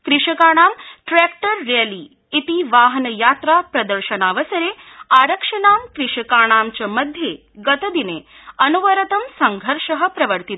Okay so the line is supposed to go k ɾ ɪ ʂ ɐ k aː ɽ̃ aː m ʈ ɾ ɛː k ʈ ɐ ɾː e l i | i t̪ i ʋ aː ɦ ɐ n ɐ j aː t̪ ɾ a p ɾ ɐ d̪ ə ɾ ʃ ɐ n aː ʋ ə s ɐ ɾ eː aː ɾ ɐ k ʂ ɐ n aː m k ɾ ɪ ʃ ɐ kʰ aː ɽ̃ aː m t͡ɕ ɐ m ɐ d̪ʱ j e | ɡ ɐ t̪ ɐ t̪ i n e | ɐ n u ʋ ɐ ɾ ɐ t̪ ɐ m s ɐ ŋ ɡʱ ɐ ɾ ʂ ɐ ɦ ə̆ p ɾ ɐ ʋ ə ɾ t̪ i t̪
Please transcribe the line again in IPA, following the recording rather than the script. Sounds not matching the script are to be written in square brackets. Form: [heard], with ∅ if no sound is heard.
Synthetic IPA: k ɾ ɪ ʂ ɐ k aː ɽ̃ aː m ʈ ɾ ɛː k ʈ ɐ ɾː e l i | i t̪ i ʋ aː ɦ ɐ n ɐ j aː t̪ ɾ a p ɾ ɐ d̪ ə ɾ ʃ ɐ n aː ʋ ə s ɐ ɾ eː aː ɾ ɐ k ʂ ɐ n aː m k ɾ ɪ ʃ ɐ [k] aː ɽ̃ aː m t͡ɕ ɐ m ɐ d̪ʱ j e | ɡ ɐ t̪ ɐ [d̪] i n e | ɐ n u ʋ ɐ ɾ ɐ t̪ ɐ m s ɐ ŋ ɡʱ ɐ ɾ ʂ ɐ ɦ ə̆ p ɾ ɐ ʋ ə ɾ t̪ i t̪